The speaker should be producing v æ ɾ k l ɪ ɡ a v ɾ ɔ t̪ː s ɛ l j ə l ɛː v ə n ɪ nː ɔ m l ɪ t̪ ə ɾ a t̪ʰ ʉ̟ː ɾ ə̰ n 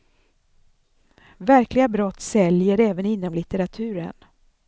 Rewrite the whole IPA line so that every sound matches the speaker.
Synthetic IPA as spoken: v æ ɾ k l ɪ ɡ a b ɾ ɔ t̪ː s ɛ l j ə ɾ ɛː v ə n ɪ nː ɔ m l ɪ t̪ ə ɾ a t̪ʰ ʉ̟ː ɾ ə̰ n